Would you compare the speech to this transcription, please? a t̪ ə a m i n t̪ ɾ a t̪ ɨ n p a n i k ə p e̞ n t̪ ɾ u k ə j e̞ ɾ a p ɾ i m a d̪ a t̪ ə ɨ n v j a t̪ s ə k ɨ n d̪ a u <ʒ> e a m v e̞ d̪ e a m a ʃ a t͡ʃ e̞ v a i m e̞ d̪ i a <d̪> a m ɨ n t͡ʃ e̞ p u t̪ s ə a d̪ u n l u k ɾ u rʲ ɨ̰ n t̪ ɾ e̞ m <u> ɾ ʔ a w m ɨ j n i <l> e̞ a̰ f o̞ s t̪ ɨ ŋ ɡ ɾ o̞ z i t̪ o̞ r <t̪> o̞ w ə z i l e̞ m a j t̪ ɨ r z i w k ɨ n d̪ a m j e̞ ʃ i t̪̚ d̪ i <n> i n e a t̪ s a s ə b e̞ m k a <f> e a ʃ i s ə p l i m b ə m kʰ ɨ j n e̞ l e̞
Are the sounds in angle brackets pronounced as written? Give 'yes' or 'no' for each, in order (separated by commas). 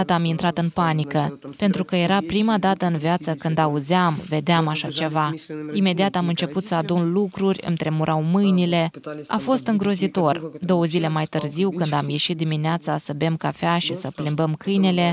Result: no, no, yes, yes, no, no, yes